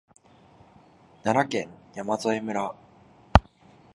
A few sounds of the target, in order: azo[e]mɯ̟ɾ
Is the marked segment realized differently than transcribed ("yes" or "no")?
no